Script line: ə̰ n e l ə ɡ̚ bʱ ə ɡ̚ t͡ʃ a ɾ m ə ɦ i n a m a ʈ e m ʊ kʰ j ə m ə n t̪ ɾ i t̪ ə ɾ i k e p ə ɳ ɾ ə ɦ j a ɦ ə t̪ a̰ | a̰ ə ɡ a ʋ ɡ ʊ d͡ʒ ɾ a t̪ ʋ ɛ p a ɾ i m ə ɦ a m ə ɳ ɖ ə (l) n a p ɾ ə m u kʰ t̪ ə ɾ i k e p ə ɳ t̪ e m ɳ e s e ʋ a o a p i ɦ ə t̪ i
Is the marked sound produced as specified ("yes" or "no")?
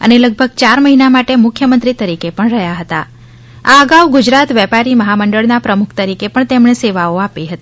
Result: no